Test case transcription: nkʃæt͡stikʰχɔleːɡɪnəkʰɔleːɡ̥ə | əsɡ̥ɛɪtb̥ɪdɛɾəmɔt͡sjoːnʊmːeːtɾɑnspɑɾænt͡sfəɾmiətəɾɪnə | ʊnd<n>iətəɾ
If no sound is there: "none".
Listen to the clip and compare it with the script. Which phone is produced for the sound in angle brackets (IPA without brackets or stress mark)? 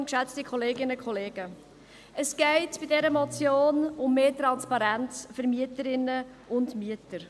m